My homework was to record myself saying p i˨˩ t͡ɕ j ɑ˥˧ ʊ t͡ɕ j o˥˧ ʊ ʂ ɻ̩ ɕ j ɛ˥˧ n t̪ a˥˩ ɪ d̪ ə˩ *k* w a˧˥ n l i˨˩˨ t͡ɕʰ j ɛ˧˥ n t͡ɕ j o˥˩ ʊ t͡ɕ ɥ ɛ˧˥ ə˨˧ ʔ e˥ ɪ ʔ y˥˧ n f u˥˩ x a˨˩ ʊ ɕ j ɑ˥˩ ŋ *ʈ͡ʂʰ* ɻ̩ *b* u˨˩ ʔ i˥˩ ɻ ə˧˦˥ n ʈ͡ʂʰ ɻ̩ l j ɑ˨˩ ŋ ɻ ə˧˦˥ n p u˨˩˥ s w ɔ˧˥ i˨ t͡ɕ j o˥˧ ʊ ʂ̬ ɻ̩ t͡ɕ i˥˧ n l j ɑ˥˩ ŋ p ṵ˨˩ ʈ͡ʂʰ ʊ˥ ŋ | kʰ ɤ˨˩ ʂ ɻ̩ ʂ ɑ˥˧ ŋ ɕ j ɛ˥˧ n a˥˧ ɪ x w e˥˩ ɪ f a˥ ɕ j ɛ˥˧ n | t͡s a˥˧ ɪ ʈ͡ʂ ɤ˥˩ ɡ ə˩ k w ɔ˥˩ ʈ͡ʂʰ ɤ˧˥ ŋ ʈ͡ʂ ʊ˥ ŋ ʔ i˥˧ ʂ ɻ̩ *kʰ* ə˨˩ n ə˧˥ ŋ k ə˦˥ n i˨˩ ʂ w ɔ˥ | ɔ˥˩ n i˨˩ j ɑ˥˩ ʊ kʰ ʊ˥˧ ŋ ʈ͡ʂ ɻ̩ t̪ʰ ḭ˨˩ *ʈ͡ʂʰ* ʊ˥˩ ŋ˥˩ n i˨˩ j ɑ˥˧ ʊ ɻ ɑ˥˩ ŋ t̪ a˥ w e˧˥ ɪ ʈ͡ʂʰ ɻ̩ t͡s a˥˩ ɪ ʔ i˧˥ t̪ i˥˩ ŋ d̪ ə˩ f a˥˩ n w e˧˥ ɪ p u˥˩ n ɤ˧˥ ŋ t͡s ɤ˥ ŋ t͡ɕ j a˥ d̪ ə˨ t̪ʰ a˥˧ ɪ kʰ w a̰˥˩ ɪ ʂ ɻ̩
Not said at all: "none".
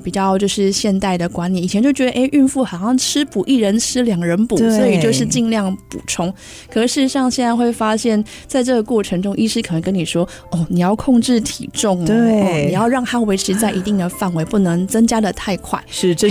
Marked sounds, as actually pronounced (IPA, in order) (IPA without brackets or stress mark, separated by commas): k, ʈ͡ʂʰ, p, kʰ, ʈ͡ʂ